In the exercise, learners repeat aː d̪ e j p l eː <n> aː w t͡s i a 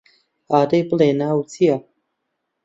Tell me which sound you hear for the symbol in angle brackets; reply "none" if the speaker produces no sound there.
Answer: n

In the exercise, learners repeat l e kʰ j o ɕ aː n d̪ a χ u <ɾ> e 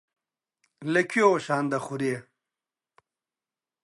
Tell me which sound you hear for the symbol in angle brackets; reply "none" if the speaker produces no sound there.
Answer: ɾ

